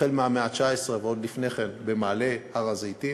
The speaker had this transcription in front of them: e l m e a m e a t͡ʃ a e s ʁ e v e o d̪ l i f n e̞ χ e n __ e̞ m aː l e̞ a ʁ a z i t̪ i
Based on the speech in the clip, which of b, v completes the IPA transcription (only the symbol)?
b